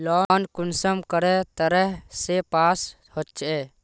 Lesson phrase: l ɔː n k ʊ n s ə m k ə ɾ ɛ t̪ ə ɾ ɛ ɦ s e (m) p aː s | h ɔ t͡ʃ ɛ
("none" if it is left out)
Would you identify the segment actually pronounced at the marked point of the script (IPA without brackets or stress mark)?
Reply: none